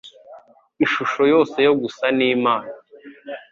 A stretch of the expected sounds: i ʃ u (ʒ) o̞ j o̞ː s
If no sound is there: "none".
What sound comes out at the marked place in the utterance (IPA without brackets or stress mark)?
ʃ